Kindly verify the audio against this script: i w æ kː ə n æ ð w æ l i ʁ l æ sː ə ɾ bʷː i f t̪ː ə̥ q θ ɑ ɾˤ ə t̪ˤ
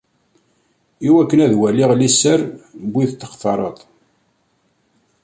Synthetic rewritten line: i w æ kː ə n æ ð w æ l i ʁ l i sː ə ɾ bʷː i θ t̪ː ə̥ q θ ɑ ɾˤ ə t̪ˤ